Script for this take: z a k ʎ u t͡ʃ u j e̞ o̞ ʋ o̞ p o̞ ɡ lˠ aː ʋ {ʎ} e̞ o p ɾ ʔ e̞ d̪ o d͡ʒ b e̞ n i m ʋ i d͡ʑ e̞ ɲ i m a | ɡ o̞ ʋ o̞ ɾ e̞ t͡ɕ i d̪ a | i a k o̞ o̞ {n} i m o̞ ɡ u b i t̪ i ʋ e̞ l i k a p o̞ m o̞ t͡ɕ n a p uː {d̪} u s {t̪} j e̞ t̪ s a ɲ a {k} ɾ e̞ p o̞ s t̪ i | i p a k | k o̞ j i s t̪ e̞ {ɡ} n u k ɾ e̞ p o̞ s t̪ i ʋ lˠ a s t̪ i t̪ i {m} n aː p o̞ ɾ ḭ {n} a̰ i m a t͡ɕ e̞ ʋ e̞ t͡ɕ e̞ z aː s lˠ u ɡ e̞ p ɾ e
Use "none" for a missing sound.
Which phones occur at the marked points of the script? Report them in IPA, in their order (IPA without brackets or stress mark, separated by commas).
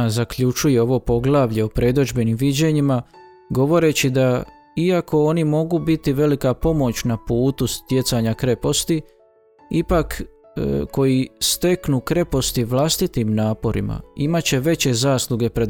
ʎ, n, t̪, t̪, k, k, m, m